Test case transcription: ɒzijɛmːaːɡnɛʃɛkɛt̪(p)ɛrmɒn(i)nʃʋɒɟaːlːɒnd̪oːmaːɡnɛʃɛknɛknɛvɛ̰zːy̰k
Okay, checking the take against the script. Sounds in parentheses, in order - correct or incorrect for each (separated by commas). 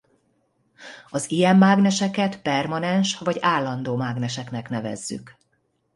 correct, incorrect